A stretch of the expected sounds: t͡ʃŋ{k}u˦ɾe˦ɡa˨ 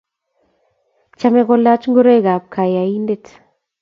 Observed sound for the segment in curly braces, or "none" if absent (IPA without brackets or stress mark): ɡ